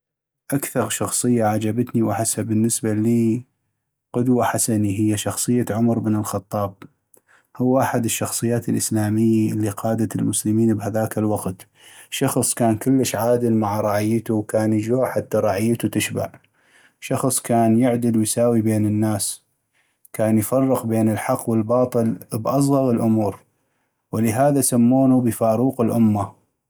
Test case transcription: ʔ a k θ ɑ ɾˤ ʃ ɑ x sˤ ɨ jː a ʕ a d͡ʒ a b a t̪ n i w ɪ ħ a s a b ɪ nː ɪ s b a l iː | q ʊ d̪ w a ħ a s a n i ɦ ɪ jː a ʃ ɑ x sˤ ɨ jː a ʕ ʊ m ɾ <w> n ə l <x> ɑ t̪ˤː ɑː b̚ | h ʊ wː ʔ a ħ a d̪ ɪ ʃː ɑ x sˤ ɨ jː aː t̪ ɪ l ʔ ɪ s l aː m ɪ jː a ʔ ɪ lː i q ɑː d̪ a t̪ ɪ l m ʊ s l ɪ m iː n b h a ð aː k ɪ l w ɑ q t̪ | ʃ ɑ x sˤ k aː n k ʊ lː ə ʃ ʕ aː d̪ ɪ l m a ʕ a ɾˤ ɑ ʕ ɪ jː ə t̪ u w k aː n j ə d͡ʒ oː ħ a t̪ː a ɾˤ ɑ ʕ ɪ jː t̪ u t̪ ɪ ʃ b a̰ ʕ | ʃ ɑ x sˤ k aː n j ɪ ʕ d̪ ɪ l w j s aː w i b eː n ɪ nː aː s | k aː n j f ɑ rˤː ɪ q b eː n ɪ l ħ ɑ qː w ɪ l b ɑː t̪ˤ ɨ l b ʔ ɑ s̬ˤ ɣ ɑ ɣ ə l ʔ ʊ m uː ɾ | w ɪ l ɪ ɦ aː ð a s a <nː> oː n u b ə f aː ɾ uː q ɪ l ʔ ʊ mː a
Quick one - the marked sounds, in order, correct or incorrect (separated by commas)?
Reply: incorrect, correct, incorrect